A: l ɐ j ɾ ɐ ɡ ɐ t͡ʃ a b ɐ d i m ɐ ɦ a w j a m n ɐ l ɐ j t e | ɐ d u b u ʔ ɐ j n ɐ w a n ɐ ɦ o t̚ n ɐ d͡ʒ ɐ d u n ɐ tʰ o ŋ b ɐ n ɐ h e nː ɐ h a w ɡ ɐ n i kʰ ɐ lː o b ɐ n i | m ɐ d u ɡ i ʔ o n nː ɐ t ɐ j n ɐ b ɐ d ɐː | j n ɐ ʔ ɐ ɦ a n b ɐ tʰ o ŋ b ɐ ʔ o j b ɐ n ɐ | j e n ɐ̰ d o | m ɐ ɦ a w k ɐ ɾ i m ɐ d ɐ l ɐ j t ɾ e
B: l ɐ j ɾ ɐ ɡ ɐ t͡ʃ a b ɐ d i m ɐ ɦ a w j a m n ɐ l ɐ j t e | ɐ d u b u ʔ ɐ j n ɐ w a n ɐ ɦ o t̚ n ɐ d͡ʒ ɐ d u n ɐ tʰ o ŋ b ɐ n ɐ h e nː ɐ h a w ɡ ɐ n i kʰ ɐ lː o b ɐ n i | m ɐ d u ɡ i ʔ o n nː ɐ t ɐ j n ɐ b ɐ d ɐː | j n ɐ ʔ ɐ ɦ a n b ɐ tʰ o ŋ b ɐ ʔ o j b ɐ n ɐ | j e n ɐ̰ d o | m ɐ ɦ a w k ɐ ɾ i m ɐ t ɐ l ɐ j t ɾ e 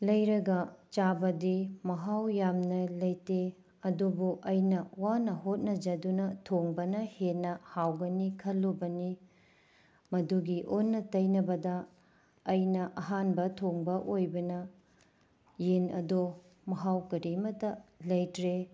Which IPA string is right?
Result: B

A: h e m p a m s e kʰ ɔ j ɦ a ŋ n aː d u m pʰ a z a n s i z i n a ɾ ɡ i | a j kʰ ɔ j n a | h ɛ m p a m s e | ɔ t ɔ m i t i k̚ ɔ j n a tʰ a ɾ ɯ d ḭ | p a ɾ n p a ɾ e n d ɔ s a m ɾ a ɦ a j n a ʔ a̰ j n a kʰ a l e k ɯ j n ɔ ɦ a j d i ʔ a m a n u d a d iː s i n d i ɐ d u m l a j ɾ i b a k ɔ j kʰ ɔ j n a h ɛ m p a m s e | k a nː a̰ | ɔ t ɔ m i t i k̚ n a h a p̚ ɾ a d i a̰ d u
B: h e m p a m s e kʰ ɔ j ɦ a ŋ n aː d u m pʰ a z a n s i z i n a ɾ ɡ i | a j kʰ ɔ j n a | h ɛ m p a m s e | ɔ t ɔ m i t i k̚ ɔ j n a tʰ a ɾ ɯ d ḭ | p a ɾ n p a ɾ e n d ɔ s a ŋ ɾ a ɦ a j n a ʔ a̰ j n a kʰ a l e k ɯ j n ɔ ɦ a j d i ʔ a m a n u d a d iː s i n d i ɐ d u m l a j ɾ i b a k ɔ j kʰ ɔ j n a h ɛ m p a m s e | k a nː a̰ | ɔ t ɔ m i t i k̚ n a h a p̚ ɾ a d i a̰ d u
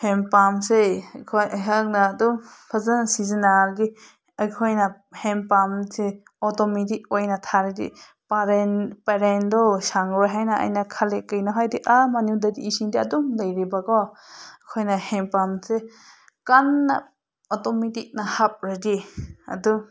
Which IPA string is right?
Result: B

